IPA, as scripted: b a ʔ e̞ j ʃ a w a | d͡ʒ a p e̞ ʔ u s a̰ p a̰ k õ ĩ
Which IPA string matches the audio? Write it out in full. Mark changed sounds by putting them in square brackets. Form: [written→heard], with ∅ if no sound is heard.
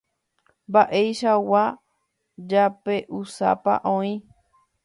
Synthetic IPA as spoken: b a ʔ e̞ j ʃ a w a | d͡ʒ a p e̞ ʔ u s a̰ p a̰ [k→ʔ] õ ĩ